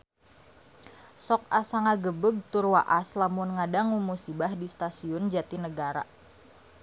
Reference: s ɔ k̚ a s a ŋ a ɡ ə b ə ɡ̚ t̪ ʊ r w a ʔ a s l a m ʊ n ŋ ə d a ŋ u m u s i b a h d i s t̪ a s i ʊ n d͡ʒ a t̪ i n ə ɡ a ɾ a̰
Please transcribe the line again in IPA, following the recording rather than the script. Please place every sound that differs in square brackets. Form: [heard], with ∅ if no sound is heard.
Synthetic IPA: s ɔ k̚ a s a ŋ a ɡ ə b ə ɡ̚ t̪ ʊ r w a ʔ a s l a m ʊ n ŋ [a] d a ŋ u m u s i b a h d i s t̪ a s i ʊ n d͡ʒ a t̪ i n ə ɡ a ɾ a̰